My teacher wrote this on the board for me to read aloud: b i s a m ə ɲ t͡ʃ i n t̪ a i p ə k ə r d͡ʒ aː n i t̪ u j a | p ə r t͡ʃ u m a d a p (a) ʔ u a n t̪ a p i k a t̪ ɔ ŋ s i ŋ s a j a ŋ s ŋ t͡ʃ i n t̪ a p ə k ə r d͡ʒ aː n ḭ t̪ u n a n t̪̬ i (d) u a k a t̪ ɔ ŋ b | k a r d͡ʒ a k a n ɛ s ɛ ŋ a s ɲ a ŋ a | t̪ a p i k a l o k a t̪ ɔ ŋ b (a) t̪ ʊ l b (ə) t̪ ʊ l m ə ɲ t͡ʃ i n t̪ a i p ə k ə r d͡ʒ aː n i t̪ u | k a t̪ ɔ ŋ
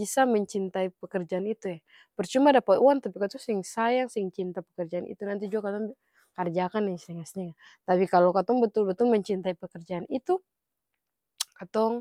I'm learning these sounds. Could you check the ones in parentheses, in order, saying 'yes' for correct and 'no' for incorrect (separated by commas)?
yes, no, no, yes